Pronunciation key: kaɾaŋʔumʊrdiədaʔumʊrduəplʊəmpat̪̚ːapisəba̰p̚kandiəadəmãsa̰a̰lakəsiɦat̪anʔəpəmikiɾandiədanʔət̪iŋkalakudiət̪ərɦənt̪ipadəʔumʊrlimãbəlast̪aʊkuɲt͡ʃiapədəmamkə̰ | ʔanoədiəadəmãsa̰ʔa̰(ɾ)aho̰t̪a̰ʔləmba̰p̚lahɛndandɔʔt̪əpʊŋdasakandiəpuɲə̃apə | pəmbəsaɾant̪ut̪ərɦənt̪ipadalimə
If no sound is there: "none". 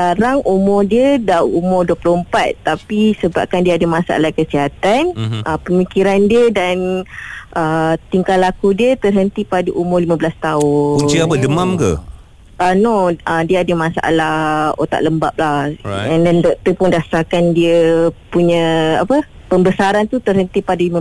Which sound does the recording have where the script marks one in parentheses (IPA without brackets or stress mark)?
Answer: l